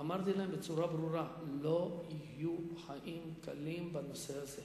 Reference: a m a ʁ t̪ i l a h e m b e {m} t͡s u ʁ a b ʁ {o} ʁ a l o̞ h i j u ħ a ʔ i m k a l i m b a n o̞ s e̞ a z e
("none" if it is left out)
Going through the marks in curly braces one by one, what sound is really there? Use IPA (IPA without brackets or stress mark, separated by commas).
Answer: none, u